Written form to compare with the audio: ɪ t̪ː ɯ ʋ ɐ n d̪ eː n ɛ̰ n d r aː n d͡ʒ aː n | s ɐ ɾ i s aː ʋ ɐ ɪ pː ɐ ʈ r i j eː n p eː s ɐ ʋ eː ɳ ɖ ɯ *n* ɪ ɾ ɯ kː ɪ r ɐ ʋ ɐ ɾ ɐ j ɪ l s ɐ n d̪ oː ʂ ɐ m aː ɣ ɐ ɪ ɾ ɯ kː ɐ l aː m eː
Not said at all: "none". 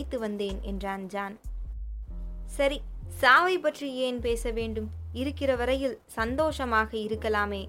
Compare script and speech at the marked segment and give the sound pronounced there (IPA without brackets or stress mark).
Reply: m